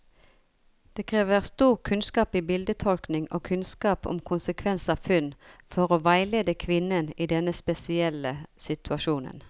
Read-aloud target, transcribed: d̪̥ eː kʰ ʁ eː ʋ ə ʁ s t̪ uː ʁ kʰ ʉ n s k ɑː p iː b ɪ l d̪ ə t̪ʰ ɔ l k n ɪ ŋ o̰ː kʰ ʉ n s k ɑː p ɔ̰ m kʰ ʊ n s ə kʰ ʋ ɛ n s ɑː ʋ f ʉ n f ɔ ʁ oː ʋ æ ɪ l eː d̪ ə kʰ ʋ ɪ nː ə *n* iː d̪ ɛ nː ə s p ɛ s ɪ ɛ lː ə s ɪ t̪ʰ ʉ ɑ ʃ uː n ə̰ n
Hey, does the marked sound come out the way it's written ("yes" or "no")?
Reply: yes